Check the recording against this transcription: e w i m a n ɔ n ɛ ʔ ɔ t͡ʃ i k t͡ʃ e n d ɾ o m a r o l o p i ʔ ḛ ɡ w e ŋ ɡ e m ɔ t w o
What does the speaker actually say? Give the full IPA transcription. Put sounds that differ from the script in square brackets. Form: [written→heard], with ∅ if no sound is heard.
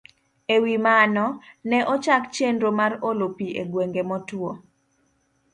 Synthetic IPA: e w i m a n ɔ n ɛ ʔ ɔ t͡ʃ [i→a] k t͡ʃ e n d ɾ o m a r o l o p i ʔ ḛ ɡ w e ŋ ɡ e m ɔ t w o